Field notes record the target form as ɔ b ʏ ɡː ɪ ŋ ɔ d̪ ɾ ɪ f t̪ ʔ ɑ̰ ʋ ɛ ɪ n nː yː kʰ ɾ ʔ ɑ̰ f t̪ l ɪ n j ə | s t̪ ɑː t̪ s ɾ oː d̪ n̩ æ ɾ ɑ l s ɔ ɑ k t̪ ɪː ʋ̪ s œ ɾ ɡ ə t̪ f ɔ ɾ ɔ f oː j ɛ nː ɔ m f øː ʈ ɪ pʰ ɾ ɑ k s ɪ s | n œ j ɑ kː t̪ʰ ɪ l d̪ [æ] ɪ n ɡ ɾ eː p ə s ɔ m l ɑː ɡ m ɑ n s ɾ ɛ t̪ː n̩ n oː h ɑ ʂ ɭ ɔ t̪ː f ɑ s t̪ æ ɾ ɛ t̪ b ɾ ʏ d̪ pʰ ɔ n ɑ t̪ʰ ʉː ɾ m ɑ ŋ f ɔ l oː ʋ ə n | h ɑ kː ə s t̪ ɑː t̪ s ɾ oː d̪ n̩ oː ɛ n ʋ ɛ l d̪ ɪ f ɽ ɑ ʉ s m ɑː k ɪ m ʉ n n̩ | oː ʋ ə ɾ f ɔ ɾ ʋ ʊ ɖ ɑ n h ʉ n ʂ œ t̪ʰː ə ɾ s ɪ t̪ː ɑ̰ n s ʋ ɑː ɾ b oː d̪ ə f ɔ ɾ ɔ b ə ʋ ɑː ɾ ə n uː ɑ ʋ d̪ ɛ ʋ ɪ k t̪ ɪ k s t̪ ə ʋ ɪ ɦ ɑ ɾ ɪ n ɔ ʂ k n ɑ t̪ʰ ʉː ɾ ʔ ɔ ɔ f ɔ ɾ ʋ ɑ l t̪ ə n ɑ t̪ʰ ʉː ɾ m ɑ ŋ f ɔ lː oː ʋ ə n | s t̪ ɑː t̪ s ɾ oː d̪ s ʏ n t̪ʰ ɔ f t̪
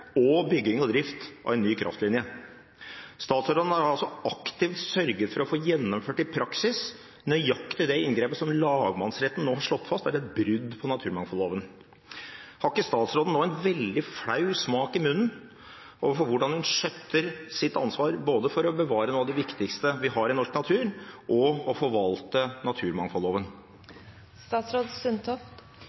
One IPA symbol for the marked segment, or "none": ɛ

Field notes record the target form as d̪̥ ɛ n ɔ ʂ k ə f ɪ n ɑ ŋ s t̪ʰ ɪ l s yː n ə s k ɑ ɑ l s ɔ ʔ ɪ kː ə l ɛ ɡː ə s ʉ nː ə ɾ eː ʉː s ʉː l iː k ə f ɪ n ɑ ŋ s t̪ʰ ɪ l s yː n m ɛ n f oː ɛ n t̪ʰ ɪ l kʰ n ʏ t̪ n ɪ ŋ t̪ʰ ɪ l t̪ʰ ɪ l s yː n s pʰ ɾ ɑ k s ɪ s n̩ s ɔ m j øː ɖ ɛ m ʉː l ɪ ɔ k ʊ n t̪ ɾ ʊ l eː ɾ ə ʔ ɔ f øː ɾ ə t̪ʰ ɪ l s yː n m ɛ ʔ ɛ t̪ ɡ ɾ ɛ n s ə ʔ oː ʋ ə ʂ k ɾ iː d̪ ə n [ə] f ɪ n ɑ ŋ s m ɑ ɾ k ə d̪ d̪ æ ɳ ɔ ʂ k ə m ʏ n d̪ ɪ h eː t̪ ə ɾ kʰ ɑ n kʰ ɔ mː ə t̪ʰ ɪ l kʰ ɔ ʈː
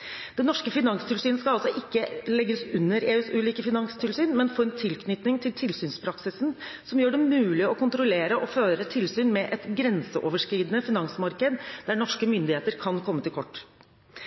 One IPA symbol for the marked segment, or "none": ə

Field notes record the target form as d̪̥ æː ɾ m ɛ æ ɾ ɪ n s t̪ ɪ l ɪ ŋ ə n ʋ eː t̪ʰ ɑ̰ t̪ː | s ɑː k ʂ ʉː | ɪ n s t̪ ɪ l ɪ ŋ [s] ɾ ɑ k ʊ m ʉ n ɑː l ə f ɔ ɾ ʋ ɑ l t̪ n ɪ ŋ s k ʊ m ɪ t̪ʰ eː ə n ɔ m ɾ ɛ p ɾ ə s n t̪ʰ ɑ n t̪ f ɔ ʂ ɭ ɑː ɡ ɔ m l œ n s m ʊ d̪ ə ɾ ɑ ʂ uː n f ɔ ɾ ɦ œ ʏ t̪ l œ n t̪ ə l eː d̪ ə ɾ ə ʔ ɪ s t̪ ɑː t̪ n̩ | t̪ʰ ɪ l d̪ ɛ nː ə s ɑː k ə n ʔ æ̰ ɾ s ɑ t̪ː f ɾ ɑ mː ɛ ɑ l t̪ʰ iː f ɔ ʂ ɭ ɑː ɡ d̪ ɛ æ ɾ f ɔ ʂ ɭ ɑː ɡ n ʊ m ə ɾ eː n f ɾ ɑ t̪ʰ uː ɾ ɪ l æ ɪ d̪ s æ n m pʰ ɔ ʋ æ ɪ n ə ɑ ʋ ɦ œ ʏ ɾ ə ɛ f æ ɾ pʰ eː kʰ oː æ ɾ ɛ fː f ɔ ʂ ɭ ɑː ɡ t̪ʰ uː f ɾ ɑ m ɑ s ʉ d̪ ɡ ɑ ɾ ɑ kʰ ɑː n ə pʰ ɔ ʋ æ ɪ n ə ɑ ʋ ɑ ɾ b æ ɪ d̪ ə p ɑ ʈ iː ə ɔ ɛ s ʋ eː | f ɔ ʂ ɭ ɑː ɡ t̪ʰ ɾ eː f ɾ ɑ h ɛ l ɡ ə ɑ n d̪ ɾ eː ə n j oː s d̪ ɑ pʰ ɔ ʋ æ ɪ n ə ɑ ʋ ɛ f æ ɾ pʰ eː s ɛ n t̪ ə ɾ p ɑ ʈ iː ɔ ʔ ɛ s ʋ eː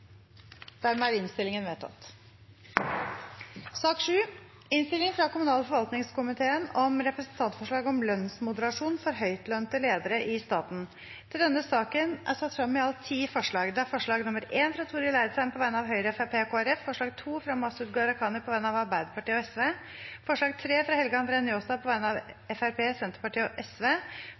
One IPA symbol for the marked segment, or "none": f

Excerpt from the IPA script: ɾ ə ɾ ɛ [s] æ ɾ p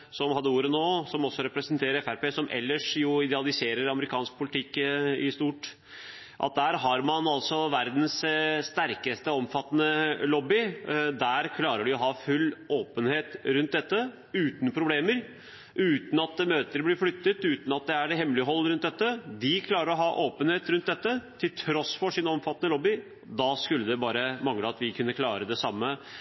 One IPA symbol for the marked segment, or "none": f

